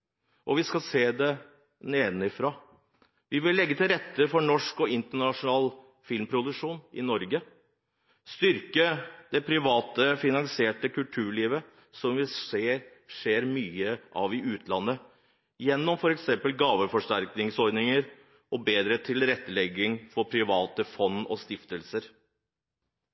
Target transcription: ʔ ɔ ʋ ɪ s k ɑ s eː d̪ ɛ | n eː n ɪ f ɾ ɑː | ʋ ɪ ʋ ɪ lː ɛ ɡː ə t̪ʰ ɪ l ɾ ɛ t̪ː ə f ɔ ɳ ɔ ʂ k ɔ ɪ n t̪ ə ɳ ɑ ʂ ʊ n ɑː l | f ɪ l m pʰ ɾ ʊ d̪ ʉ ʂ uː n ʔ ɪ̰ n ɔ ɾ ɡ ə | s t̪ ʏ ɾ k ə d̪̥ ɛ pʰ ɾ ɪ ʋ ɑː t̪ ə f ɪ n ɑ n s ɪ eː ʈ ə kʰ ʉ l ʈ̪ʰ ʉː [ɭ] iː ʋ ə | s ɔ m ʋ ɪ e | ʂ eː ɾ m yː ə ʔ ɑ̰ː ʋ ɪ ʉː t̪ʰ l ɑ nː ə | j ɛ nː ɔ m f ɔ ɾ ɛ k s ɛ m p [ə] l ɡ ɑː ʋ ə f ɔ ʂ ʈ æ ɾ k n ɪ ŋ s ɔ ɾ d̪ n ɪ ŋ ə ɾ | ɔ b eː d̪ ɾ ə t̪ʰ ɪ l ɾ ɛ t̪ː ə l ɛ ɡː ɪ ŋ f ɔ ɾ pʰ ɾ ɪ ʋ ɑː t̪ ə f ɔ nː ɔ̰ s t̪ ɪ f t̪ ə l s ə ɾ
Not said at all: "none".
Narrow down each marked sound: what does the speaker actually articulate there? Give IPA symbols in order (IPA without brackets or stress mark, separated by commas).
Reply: ɭ, ə